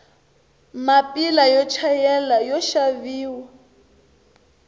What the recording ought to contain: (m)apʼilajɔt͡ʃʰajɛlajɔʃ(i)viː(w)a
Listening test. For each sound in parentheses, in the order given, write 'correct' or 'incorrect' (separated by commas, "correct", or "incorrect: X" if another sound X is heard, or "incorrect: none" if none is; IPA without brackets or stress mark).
correct, incorrect: a, correct